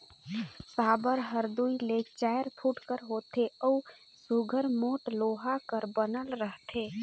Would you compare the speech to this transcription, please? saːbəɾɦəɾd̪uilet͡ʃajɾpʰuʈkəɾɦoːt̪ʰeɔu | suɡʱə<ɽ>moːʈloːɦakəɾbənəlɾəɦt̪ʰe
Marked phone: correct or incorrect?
incorrect